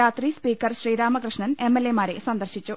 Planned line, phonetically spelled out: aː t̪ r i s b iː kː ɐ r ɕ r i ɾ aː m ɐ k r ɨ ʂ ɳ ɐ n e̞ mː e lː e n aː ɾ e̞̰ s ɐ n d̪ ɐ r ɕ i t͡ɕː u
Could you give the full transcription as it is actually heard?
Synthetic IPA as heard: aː t̪ r i s p iː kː ɐ r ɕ r iː ɾ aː m ɐ k r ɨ ʂ ɳ ɐ n e̞ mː e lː e m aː ɾ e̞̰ s ɐ n d̪ ɐ r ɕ i t͡ɕː u